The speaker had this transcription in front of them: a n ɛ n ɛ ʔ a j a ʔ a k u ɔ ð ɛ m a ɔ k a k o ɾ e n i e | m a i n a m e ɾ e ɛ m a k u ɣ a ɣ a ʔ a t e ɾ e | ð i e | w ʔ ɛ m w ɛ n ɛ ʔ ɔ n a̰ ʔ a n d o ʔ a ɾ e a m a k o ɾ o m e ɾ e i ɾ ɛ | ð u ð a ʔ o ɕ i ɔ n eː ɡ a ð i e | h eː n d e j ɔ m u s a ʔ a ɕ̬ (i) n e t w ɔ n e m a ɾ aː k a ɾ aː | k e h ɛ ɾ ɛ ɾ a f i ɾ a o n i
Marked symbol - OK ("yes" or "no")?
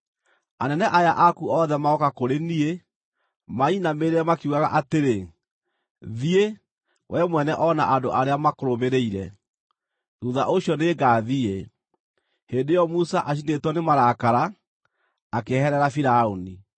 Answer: yes